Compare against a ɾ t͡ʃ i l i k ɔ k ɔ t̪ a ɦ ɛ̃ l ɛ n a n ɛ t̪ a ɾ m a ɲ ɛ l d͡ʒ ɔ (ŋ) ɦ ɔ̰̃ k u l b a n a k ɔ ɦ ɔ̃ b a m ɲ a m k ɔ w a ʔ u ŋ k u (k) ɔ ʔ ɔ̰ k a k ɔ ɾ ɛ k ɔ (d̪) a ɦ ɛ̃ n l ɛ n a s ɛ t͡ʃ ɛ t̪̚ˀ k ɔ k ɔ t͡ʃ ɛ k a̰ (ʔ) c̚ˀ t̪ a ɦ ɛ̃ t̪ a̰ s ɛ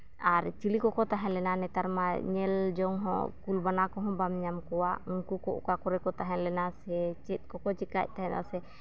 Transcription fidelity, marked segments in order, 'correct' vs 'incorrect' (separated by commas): correct, correct, incorrect, incorrect